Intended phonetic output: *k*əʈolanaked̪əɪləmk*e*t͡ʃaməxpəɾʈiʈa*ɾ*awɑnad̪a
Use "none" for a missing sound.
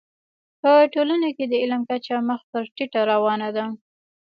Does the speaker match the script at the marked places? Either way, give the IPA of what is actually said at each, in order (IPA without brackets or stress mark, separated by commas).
p, a, ɾ